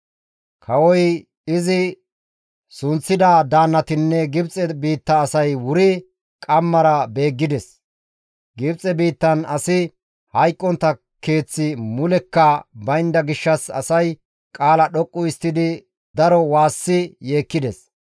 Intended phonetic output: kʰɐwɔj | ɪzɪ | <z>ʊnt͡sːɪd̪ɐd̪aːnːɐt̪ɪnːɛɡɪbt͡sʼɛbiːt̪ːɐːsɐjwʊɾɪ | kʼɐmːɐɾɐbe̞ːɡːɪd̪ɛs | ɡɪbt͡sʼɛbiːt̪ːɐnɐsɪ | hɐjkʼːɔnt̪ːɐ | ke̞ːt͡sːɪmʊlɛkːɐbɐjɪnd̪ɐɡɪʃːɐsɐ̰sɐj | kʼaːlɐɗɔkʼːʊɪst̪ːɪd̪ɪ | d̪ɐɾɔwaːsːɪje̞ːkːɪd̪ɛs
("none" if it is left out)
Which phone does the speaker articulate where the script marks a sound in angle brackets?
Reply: s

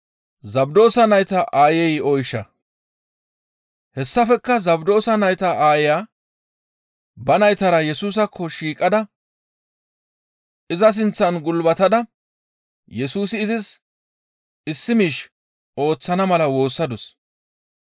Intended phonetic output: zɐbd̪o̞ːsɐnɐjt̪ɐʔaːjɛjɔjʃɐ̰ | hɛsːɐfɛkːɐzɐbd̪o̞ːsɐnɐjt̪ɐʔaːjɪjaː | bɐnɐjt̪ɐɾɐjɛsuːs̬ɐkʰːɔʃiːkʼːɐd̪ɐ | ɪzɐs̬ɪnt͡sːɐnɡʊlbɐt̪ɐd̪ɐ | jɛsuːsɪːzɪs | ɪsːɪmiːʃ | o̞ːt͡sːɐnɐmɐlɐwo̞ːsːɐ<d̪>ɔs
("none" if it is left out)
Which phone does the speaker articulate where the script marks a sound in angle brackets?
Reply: d̪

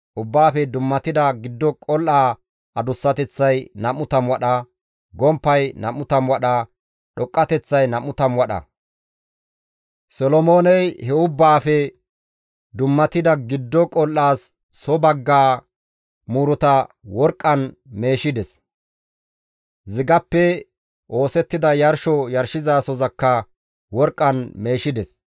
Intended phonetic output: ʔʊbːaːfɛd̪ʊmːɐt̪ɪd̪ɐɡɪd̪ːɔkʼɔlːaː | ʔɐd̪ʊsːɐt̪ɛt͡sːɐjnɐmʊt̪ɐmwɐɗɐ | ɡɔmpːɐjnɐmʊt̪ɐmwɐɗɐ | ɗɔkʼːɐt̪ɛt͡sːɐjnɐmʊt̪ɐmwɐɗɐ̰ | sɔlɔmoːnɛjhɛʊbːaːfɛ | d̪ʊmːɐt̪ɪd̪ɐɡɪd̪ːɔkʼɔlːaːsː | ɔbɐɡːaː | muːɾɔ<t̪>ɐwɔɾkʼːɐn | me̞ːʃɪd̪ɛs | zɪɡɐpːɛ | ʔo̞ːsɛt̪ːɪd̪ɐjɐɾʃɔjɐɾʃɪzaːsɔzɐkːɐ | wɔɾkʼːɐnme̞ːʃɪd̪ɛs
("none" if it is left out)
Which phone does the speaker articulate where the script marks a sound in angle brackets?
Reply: t̪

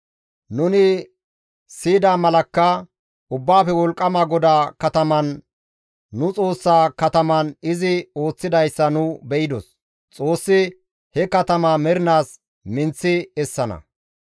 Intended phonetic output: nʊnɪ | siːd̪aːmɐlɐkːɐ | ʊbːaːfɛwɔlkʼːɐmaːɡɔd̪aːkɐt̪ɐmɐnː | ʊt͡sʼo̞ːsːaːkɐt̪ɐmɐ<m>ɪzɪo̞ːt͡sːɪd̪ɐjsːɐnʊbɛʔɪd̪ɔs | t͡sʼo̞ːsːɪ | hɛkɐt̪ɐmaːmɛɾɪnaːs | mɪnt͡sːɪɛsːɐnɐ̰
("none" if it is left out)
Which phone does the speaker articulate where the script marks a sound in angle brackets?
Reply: n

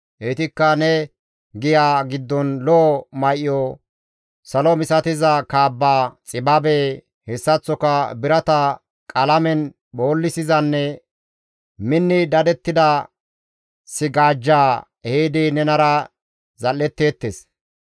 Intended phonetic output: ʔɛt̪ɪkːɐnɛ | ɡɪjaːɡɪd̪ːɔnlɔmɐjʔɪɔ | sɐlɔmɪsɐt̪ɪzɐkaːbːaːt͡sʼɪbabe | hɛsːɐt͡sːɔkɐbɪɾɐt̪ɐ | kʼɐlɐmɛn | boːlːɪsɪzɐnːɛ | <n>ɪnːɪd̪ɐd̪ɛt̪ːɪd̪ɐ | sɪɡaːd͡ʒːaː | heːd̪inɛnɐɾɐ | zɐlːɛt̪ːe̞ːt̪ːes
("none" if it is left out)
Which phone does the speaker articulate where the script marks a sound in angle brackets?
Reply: m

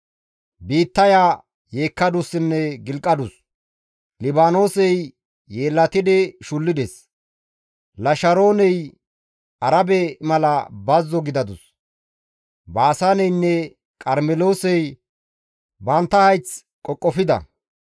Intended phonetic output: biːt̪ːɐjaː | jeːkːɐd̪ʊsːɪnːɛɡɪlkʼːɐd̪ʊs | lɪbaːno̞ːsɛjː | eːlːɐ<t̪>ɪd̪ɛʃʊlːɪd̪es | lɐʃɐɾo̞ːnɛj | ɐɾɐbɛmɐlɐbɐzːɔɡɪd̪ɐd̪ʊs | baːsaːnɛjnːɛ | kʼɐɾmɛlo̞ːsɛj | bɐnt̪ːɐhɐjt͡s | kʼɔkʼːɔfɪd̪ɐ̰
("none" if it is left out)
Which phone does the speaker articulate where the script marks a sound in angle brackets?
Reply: t̪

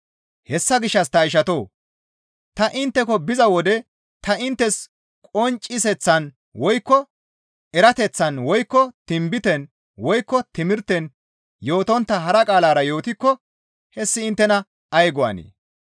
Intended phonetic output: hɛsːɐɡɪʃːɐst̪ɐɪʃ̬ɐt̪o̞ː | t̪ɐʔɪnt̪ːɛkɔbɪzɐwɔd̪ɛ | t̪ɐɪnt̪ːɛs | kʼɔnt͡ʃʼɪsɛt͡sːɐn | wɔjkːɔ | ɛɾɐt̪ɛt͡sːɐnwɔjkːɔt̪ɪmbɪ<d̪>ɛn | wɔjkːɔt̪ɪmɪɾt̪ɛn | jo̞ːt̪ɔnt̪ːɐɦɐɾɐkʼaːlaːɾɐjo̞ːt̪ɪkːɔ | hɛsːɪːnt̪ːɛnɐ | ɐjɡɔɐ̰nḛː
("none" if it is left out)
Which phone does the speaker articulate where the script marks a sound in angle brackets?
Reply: t̪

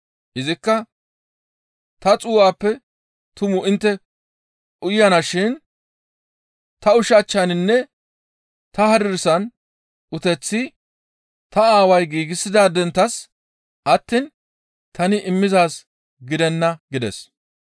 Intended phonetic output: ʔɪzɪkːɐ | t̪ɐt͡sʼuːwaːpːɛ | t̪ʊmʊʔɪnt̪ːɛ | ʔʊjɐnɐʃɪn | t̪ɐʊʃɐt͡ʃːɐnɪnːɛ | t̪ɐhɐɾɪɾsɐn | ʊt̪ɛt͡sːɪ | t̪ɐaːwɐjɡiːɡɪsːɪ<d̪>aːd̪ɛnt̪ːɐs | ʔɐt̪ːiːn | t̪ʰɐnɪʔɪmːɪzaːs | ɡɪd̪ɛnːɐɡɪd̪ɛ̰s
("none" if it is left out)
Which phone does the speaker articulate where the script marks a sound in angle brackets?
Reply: d̪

